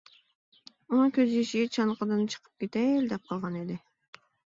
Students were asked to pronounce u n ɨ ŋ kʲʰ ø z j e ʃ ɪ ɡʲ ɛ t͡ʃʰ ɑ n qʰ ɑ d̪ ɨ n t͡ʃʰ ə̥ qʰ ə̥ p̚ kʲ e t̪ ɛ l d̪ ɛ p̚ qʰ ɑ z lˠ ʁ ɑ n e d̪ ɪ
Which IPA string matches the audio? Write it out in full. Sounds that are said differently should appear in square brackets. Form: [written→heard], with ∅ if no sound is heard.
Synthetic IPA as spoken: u n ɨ ŋ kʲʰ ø z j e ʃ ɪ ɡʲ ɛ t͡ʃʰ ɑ n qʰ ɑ d̪ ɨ n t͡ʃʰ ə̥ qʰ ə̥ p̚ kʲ e t̪ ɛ l d̪ ɛ p̚ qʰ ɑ [z→∅] lˠ ʁ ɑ n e d̪ ɪ